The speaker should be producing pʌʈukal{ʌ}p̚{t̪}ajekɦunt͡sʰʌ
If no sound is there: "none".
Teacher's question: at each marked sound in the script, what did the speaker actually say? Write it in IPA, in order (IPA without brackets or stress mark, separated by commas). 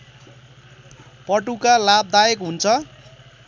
a, d̪